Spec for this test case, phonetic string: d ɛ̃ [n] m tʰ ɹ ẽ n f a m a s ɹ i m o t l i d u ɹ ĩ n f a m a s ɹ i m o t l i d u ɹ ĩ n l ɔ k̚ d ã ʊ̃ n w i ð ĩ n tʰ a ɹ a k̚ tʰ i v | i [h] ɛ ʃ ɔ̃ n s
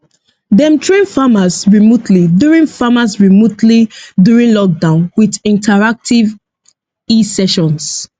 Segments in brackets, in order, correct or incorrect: incorrect: none, incorrect: s

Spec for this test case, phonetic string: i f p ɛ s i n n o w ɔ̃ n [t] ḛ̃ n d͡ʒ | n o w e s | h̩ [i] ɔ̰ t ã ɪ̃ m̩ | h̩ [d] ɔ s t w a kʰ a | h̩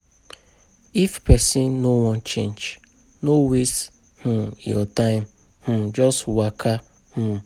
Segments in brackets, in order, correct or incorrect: incorrect: t͡ʃ, incorrect: j, incorrect: d͡ʒ

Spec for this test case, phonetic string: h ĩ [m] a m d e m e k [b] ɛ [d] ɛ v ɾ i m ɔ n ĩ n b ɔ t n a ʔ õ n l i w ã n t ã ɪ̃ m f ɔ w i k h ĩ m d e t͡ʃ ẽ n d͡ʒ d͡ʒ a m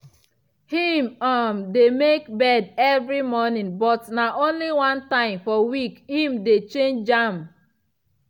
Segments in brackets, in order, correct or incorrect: correct, correct, correct

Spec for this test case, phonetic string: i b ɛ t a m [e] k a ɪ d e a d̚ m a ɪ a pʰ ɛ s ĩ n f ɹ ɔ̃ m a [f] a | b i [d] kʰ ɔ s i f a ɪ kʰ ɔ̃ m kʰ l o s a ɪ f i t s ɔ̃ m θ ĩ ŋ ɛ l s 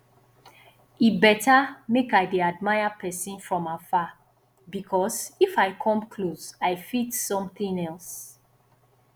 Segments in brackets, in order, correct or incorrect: correct, correct, incorrect: none

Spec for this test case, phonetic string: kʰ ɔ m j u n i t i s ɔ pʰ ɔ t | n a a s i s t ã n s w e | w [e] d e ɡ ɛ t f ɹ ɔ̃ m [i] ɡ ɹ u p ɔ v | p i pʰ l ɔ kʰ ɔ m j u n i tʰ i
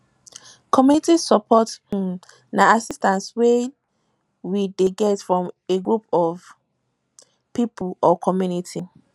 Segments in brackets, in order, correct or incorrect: incorrect: i, incorrect: e

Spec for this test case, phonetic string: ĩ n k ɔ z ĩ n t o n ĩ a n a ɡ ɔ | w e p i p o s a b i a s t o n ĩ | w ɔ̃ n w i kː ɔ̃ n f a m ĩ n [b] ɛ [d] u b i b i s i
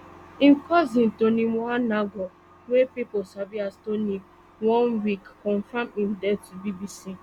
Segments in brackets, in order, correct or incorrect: incorrect: d, incorrect: t

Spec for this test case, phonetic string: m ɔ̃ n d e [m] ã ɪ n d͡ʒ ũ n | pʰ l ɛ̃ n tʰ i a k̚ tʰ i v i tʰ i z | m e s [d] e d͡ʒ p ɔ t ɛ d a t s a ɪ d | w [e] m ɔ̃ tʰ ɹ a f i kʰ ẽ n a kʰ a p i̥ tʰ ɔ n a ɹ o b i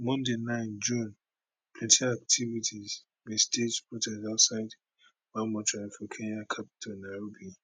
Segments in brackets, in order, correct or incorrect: incorrect: n, incorrect: t, incorrect: a

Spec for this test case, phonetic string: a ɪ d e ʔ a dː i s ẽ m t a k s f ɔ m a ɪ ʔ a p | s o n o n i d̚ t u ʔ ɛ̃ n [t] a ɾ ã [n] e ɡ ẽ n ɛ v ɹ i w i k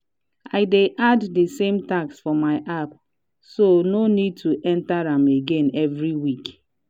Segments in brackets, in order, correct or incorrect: correct, incorrect: m

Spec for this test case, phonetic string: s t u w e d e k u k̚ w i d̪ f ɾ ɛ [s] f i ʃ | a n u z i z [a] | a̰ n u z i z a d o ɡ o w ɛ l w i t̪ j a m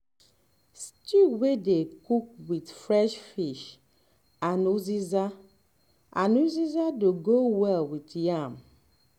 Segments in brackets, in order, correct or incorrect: incorrect: ʃ, correct

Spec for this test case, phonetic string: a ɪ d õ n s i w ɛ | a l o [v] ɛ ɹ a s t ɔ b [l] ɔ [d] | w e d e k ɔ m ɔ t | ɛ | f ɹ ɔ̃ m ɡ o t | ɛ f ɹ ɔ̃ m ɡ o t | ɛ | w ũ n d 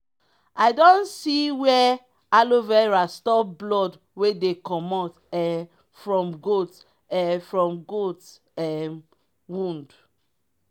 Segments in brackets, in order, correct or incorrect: correct, correct, correct

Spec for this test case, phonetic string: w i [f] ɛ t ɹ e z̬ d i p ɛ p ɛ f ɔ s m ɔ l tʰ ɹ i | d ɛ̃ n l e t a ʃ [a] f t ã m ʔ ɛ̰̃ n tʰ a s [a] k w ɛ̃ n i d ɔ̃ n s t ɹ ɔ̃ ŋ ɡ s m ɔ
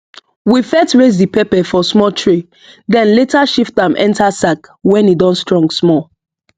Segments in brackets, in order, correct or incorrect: correct, incorrect: i, correct

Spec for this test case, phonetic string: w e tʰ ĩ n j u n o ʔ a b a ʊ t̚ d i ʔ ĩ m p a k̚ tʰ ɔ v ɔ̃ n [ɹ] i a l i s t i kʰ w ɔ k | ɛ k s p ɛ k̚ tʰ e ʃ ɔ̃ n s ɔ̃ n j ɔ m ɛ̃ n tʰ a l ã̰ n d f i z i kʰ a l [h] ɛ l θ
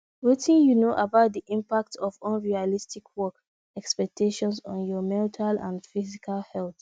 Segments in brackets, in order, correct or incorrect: correct, correct

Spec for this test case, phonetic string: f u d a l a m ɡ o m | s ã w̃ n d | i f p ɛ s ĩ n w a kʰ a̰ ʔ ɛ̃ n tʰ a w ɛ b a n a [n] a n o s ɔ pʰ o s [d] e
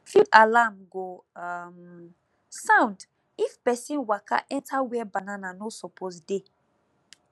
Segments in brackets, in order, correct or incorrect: correct, correct

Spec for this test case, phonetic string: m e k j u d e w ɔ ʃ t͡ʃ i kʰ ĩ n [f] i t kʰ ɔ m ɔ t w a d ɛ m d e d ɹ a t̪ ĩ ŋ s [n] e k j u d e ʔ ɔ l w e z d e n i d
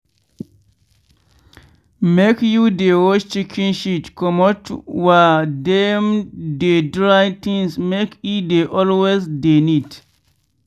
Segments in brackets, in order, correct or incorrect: incorrect: ʃ, incorrect: m

